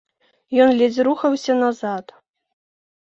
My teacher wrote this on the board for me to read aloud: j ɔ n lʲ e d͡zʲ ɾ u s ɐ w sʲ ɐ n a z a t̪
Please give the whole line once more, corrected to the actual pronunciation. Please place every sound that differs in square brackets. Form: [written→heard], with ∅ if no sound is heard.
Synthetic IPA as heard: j ɔ n lʲ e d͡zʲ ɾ u [s→x] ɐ w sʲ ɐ n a z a t̪